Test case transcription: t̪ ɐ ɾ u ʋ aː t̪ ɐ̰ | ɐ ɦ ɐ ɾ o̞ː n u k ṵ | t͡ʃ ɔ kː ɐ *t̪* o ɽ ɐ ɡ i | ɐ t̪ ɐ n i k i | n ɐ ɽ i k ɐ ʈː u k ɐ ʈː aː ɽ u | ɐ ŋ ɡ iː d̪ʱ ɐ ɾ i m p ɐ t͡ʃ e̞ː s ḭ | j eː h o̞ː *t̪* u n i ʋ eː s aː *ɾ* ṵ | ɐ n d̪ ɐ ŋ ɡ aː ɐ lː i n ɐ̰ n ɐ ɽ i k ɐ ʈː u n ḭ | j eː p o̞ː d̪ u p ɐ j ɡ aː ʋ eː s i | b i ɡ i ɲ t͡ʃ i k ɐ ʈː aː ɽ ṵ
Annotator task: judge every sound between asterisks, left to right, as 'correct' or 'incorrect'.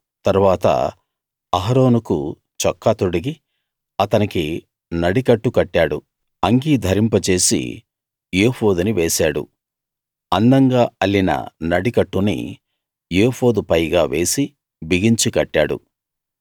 correct, incorrect, incorrect

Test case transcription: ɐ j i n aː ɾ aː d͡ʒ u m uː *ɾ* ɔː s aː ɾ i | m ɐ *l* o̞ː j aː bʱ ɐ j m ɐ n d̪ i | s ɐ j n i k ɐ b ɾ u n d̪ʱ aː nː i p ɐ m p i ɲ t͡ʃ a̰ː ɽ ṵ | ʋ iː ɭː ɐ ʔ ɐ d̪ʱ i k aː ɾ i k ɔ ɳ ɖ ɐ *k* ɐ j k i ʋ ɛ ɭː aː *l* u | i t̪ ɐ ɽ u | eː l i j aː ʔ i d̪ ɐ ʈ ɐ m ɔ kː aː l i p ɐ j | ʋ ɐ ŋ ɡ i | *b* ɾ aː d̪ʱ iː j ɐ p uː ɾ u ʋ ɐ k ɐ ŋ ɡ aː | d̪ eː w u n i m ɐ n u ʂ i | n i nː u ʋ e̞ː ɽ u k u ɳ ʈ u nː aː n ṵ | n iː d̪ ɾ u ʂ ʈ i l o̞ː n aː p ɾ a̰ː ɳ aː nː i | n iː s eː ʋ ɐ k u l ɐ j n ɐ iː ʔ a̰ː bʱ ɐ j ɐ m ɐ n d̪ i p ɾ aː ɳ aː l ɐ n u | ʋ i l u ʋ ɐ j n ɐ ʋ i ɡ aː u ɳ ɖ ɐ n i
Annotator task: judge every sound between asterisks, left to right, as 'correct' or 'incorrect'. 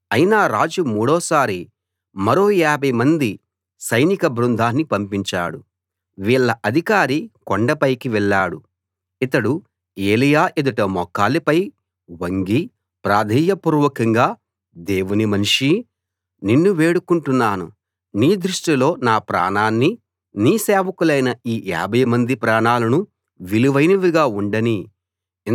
incorrect, incorrect, incorrect, incorrect, incorrect

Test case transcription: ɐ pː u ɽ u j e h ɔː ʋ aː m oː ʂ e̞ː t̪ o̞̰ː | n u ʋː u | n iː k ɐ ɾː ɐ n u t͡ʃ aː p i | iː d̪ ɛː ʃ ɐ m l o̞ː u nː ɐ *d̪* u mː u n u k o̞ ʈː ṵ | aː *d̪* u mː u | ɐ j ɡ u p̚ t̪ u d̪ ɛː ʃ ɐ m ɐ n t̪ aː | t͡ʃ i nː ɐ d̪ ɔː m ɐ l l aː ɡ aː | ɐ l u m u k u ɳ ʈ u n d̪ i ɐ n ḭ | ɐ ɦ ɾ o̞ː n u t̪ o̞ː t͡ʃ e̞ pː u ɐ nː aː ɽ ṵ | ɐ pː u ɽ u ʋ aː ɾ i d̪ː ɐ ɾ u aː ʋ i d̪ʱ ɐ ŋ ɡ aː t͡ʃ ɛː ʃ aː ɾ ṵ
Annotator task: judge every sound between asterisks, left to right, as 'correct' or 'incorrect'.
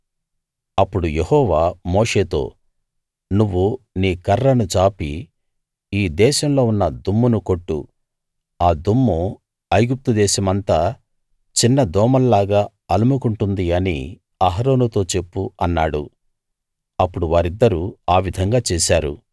correct, correct

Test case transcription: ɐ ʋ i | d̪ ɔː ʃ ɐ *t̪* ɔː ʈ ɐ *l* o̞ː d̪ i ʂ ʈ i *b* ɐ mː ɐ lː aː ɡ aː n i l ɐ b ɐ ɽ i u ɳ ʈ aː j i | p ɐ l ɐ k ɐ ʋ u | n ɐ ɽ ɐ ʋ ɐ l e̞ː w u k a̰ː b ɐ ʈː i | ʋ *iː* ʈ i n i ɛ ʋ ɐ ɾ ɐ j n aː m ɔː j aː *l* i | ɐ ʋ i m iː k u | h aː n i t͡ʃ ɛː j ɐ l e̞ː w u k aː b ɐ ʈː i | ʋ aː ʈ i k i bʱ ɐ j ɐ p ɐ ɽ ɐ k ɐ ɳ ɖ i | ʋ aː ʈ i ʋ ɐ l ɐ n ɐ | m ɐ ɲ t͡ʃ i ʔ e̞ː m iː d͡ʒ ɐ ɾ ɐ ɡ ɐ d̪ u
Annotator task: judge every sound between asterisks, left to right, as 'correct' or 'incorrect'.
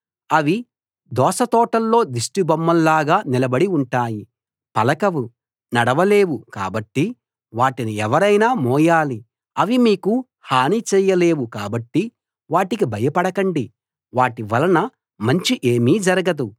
correct, incorrect, correct, incorrect, correct

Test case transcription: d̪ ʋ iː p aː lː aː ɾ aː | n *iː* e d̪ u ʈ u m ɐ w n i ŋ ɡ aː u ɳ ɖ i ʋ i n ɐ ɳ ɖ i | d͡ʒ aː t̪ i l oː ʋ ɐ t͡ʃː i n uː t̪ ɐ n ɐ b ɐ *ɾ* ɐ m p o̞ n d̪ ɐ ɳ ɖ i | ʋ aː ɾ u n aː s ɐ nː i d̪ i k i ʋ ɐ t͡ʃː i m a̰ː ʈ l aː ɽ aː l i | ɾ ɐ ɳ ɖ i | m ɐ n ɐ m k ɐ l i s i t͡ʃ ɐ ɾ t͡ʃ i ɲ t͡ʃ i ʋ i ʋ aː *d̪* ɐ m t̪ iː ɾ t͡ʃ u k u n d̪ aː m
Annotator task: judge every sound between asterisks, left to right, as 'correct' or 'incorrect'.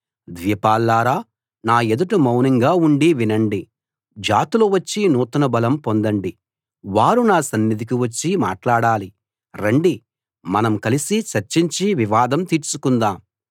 incorrect, incorrect, correct

